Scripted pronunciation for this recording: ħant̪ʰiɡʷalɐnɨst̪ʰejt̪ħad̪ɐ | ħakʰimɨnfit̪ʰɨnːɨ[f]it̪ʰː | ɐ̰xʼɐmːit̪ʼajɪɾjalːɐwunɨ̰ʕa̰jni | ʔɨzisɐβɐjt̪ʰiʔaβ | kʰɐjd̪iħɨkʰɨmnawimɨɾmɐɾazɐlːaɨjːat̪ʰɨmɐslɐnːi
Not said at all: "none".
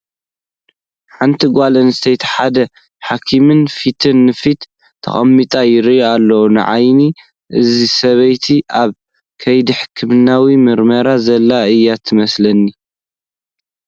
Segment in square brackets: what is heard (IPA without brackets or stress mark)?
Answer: f